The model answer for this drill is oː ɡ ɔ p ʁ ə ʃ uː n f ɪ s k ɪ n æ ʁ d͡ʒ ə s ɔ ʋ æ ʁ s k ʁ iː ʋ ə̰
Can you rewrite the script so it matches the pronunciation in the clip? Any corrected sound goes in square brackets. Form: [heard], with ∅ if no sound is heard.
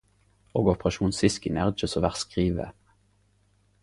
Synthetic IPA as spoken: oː ɡ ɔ p ʁ [ɑ] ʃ uː n [s] ɪ s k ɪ n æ ʁ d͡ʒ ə s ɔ ʋ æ ʁ s k ʁ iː ʋ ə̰